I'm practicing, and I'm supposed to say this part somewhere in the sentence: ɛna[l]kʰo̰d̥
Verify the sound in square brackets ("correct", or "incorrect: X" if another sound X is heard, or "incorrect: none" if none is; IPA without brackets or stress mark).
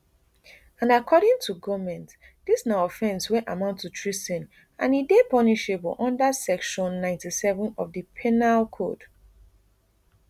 correct